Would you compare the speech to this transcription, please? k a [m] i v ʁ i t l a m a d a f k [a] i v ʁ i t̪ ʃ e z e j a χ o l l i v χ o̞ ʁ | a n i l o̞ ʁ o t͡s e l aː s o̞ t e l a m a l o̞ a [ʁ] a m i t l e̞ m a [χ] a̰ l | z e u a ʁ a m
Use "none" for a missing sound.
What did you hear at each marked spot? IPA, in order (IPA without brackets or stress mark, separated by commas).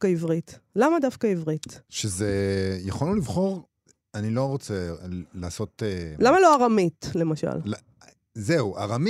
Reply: none, a, ʁ, ʃ